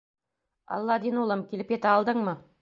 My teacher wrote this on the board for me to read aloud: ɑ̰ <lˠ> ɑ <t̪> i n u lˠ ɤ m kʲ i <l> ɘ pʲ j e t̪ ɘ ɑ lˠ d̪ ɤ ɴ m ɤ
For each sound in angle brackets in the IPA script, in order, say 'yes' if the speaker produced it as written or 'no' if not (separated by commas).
no, no, yes